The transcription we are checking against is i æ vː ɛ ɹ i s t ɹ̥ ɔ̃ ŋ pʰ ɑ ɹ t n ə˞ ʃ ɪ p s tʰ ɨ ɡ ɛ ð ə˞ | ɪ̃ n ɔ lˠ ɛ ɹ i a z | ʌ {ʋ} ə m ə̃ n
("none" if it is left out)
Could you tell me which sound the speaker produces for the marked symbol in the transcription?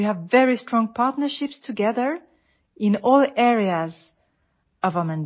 v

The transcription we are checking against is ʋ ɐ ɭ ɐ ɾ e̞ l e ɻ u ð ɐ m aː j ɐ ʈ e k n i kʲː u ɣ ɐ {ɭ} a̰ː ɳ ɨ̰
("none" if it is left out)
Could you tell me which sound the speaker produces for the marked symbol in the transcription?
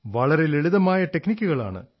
ɭ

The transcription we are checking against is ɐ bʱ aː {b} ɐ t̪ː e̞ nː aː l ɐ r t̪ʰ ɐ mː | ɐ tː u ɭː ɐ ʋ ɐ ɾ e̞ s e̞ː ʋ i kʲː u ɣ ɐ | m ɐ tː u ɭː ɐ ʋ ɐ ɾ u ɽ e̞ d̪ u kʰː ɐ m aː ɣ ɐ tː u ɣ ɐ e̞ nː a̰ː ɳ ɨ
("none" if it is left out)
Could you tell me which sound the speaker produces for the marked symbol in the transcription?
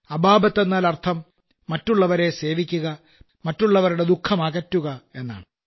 b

